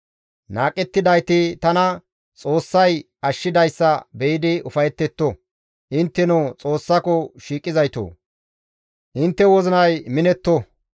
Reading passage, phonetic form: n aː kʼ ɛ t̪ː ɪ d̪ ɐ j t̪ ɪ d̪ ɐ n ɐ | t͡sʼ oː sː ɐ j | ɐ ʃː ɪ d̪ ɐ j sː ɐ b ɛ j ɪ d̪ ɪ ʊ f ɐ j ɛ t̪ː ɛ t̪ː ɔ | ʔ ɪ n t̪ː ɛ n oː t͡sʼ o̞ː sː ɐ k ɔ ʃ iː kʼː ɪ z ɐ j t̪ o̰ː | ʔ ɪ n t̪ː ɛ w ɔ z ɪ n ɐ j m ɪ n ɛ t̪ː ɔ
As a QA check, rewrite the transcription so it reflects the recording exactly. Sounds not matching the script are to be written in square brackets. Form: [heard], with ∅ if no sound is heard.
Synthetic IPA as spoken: n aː kʼ ɛ t̪ː ɪ d̪ ɐ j t̪ ɪ [t̪] ɐ n ɐ | t͡sʼ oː sː ɐ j | ɐ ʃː ɪ d̪ ɐ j sː ɐ b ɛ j ɪ d̪ ɪ ʊ f ɐ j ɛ t̪ː ɛ t̪ː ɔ | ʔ ɪ n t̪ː ɛ n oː t͡sʼ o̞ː sː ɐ k ɔ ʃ iː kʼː ɪ z ɐ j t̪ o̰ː | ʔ ɪ n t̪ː ɛ w ɔ z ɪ n ɐ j m ɪ n ɛ t̪ː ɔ